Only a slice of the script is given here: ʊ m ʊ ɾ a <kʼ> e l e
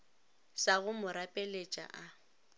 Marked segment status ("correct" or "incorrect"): incorrect